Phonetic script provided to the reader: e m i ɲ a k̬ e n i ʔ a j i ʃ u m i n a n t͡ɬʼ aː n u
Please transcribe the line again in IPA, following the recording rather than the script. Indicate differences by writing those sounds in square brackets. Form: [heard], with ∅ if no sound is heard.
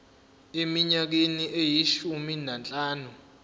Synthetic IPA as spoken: e m i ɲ a k̬ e n i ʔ [e] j i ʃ u m i n a n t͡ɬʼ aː n u